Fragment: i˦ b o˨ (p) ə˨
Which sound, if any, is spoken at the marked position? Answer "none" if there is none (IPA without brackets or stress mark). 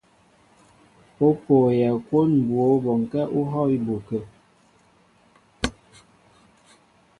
k